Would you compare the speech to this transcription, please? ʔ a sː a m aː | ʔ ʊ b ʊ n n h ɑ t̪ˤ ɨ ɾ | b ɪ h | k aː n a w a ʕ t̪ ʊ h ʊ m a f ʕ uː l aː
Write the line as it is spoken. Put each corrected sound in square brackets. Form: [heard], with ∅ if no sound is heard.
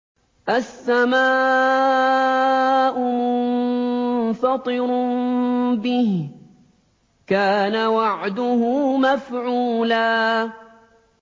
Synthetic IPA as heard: ʔ a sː a m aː | ʔ ʊ [m] ʊ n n [f] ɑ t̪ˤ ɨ ɾ | b ɪ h | k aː n a w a ʕ [d̪] ʊ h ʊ m a f ʕ uː l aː

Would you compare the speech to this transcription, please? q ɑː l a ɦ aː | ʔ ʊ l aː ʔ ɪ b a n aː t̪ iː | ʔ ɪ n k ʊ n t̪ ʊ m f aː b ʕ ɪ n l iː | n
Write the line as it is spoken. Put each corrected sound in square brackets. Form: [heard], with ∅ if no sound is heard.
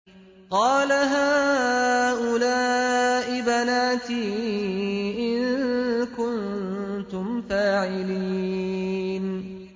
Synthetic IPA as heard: q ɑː l a ɦ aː | ʔ ʊ l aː ʔ ɪ b a n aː t̪ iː | ʔ ɪ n k ʊ n t̪ ʊ m f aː [∅] ʕ ɪ [∅] l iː | n

